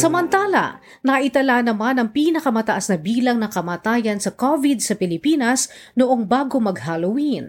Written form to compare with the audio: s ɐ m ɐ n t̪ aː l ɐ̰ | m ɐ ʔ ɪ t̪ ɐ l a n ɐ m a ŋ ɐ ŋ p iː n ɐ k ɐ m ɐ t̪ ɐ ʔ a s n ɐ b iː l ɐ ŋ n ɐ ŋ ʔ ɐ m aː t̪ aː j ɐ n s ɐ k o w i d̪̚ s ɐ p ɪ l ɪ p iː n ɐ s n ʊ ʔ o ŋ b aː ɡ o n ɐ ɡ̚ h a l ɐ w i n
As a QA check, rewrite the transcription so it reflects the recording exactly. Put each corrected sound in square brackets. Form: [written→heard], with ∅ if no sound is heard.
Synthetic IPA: s ɐ m ɐ n t̪ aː l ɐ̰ | [m→n] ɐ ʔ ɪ t̪ ɐ l a n ɐ m a [ŋ→n] ɐ ŋ p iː n ɐ k ɐ m ɐ t̪ ɐ ʔ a s n ɐ b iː l ɐ ŋ n ɐ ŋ [ʔ→k] ɐ m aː t̪ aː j ɐ n s ɐ k o [w→v] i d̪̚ s ɐ p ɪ l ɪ p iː n ɐ s n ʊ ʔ o ŋ b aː ɡ o [n→m] ɐ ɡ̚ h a l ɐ w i n